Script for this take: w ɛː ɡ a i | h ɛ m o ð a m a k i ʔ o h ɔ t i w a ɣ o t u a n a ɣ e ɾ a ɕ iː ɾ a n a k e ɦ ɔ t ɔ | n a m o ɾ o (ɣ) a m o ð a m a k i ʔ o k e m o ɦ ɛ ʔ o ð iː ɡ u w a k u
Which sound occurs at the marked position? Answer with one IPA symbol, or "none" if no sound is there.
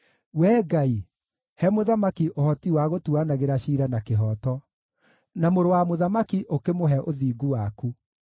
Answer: w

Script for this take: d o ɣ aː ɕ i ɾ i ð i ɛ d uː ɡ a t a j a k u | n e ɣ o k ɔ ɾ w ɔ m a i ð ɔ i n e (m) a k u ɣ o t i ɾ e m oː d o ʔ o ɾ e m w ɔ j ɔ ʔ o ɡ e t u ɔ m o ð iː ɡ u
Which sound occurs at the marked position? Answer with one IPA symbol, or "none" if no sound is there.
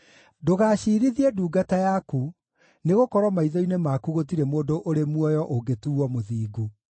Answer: m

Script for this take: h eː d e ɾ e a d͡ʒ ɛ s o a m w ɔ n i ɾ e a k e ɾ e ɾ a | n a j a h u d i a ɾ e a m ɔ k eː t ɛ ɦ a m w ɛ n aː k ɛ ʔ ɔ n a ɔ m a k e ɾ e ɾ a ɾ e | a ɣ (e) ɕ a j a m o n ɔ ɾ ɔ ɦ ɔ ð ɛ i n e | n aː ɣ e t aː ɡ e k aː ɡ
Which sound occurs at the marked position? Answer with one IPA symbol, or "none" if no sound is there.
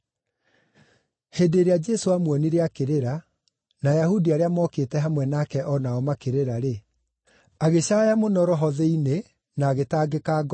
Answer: e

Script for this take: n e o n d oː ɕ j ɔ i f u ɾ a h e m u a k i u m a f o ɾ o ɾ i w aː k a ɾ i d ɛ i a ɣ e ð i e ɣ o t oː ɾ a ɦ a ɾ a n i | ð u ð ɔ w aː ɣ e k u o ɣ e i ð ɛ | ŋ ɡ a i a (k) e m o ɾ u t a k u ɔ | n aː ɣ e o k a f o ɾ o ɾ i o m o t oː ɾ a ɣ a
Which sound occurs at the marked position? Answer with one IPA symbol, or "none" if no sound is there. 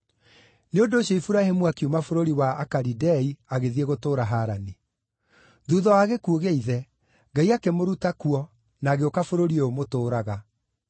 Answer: k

